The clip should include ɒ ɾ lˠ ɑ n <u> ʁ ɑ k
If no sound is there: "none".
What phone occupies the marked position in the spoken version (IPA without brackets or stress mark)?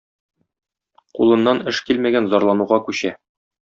u